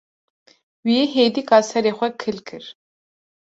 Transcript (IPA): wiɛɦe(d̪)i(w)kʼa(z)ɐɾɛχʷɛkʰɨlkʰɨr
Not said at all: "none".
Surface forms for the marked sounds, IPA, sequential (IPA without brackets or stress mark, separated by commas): d̪, none, s